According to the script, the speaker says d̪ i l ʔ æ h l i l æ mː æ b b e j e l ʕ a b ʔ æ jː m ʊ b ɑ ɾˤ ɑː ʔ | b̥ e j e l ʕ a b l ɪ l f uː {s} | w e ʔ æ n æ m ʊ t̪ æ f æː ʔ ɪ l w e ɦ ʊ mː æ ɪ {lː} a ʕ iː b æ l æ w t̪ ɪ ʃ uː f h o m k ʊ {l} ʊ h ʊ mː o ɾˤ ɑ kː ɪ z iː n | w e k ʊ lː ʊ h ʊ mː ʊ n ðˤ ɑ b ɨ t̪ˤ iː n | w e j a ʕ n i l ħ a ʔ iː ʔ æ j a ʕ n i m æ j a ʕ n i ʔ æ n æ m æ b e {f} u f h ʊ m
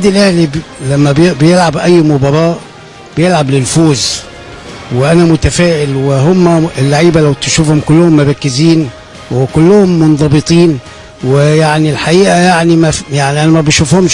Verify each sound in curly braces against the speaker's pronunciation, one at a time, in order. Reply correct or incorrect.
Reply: incorrect, correct, incorrect, incorrect

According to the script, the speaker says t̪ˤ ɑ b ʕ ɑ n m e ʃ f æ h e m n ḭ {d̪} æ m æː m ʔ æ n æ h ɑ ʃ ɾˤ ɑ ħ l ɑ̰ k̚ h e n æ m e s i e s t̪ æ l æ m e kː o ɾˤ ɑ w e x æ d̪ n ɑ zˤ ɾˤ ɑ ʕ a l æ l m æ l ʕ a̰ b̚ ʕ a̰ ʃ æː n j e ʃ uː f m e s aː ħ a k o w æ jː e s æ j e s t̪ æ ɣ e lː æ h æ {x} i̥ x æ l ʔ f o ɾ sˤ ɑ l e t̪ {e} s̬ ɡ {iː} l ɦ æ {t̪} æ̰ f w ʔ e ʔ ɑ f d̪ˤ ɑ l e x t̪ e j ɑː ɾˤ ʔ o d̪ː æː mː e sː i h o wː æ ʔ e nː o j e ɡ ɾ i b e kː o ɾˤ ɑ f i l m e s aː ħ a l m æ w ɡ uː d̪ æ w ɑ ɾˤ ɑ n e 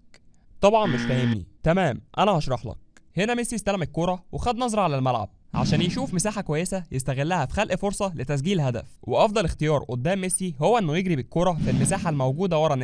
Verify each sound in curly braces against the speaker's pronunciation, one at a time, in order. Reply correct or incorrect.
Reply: incorrect, incorrect, incorrect, correct, incorrect

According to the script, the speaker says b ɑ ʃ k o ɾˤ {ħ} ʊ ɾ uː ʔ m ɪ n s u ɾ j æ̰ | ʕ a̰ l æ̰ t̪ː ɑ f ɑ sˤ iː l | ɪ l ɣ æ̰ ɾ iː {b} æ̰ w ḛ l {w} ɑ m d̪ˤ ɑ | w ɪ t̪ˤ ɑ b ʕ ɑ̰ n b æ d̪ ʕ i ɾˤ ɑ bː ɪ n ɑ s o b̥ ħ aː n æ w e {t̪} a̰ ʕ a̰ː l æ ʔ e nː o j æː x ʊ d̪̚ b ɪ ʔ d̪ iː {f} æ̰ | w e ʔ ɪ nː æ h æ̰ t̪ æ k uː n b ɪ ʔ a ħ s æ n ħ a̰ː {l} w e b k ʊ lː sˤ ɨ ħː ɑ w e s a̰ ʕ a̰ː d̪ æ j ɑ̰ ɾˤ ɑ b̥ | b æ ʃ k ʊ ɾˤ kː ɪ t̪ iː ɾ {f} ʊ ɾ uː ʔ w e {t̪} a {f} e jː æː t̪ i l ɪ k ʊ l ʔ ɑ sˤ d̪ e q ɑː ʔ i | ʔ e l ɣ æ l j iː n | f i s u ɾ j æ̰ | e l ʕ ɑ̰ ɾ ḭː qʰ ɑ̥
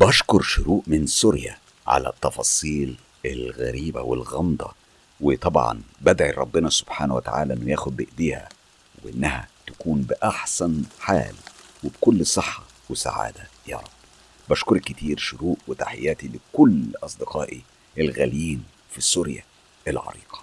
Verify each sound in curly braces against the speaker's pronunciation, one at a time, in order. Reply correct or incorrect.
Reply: incorrect, correct, incorrect, correct, incorrect, correct, incorrect, correct, incorrect

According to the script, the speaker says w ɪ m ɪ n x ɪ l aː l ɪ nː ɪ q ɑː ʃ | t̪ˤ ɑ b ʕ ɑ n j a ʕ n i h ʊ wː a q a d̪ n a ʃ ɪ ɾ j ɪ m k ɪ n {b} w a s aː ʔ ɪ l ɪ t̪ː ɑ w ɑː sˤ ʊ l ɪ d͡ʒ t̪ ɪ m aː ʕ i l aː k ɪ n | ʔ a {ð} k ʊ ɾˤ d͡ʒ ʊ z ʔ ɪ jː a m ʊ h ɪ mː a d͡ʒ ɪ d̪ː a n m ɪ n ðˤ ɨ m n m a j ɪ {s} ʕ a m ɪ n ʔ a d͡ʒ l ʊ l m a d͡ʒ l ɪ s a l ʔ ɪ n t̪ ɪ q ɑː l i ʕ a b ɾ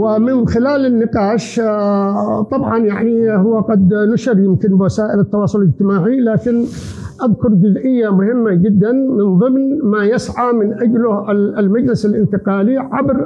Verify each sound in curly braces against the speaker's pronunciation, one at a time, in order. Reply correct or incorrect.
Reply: correct, correct, correct

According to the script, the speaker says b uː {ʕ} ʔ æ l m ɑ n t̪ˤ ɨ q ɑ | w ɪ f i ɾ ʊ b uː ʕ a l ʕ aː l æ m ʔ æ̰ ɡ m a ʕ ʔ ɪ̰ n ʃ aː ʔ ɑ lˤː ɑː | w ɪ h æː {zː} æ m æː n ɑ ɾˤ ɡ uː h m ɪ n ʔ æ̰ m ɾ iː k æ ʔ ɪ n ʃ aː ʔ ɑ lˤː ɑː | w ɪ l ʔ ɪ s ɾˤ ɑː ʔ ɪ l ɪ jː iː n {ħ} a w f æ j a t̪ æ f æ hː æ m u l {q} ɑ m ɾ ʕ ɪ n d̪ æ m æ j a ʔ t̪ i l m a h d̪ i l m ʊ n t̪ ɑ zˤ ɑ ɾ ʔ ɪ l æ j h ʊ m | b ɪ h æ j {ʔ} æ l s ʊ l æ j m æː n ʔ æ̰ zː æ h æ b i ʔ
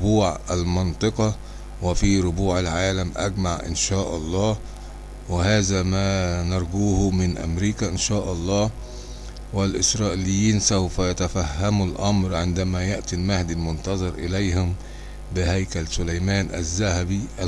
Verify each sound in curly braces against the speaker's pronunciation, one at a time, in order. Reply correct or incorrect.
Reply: correct, incorrect, incorrect, incorrect, incorrect

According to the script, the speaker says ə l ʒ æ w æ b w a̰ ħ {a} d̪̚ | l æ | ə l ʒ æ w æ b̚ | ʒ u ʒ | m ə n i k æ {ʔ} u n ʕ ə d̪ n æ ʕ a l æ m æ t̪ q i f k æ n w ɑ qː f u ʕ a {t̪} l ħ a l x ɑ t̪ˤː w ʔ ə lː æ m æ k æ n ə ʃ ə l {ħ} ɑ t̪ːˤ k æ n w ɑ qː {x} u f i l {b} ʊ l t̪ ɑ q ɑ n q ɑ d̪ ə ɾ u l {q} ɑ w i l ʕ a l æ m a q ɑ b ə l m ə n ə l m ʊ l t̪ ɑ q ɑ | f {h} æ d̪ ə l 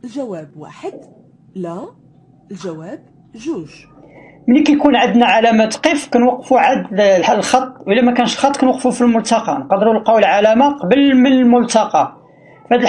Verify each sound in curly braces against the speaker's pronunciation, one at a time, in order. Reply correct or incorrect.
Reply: incorrect, incorrect, incorrect, incorrect, incorrect, incorrect, correct, correct

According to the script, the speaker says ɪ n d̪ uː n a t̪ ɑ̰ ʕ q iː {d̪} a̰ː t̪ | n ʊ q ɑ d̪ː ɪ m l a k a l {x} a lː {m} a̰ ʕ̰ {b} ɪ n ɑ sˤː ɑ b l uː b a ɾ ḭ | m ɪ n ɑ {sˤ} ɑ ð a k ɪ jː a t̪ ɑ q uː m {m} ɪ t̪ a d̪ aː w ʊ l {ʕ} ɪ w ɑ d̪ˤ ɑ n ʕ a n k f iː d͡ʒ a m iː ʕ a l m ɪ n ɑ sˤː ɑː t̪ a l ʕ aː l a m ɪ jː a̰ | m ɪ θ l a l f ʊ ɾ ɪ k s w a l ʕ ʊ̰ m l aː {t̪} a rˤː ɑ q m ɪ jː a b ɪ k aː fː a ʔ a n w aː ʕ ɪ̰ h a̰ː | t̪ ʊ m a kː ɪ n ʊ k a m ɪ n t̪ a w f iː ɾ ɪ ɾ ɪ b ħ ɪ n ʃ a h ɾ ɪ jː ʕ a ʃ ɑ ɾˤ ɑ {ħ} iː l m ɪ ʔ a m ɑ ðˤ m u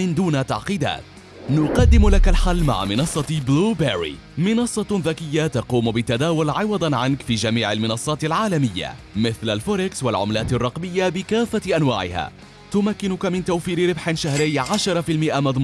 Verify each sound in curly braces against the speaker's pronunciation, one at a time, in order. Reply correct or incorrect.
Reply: correct, incorrect, correct, incorrect, incorrect, incorrect, correct, correct, incorrect

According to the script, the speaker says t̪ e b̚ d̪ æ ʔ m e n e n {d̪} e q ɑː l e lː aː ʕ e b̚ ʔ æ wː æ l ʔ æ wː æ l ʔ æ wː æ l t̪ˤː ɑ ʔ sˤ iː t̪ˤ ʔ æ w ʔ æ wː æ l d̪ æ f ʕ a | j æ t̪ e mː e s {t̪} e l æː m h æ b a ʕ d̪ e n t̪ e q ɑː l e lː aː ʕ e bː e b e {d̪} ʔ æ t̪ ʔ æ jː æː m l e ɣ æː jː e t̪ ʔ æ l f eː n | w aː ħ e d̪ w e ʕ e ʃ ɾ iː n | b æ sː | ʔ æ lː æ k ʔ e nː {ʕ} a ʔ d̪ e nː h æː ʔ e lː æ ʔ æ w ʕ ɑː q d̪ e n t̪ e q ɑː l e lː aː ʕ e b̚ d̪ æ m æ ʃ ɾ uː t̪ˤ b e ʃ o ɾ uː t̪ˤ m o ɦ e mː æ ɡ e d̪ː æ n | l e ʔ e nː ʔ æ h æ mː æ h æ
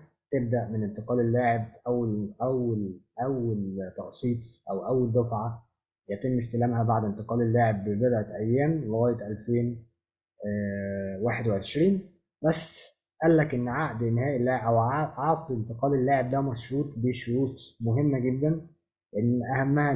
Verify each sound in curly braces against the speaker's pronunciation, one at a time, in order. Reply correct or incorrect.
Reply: incorrect, correct, correct, correct

